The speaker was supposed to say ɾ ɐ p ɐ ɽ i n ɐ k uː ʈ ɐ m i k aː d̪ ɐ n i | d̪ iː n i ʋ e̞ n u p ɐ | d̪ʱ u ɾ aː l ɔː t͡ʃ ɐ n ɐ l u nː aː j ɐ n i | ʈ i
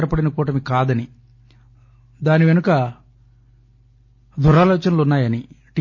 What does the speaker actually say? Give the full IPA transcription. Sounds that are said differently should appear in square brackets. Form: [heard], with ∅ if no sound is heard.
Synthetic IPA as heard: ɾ ɐ p ɐ ɽ i n ɐ k uː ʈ ɐ m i k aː d̪ ɐ n i | d̪ [aː] n i ʋ e̞ n u [k] ɐ | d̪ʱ u ɾ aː l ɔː t͡ʃ ɐ n ɐ l u nː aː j ɐ n i | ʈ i